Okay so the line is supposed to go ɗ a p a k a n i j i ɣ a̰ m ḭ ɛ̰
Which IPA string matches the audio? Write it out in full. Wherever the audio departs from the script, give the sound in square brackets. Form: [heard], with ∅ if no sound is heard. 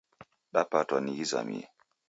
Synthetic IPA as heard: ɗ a p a [t] a n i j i [z] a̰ m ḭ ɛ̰